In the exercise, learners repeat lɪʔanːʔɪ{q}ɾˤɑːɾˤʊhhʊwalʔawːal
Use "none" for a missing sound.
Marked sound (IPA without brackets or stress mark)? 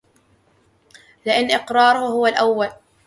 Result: q